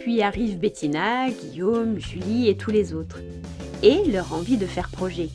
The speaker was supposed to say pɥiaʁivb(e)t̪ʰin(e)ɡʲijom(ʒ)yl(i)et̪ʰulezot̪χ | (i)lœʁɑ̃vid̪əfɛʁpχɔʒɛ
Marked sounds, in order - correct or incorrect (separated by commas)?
correct, incorrect, correct, correct, incorrect